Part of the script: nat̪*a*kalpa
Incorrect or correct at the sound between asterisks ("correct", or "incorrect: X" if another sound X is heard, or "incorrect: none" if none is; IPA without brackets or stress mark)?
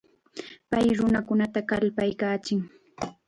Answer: correct